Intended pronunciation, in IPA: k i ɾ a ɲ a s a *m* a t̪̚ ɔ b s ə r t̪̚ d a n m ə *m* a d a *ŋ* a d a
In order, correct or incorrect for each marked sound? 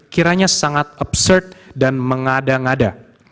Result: incorrect: ŋ, incorrect: ŋ, correct

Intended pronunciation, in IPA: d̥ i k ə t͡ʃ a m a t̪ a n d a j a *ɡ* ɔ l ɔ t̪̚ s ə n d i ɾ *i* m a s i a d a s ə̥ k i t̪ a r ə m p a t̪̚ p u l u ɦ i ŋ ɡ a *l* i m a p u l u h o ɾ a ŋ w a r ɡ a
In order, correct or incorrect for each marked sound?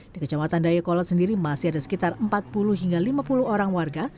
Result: incorrect: k, correct, correct

